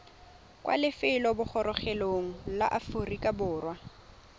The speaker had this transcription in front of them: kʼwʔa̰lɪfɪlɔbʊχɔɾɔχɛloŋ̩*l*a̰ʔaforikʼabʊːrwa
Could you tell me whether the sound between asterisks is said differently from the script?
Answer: no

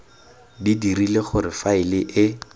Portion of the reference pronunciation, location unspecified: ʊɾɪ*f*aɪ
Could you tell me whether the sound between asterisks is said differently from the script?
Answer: no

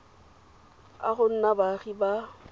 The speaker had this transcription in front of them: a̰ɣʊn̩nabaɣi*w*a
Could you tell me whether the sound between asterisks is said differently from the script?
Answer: yes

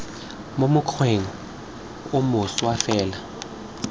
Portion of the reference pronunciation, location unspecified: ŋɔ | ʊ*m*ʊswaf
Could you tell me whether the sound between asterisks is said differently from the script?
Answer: no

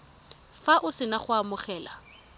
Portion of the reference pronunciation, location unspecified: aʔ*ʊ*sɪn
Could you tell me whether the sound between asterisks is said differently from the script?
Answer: no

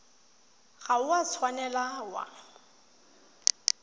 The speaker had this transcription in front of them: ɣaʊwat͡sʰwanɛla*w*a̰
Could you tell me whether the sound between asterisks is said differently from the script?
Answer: no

